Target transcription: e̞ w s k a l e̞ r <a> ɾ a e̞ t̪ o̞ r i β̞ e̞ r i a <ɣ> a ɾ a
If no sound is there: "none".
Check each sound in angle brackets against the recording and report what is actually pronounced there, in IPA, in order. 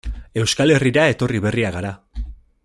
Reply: i, ɣ

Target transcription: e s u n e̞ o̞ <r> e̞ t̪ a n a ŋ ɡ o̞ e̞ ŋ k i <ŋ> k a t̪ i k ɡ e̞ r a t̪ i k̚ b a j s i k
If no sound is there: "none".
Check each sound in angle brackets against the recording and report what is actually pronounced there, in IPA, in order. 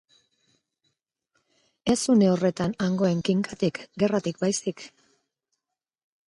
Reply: r, ŋ

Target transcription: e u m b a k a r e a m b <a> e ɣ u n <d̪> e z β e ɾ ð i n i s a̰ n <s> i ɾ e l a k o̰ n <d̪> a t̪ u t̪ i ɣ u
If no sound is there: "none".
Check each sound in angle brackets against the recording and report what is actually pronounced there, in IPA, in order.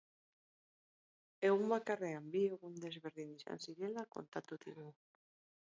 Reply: i, d̪, s, t̪

